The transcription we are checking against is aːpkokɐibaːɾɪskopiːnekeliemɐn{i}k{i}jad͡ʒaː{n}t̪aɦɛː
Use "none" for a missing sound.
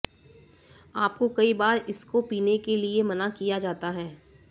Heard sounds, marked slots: a, i, none

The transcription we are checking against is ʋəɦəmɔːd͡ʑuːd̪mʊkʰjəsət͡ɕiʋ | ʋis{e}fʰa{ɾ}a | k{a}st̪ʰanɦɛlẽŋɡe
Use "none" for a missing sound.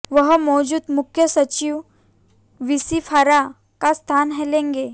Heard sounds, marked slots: i, ɾ, a

